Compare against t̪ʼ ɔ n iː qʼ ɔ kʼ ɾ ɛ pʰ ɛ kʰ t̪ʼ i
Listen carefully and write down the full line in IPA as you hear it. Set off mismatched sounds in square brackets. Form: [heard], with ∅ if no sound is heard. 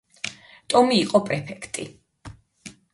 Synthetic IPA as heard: t̪ʼ ɔ [m] iː qʼ ɔ [pʼ] ɾ ɛ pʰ ɛ kʰ t̪ʼ i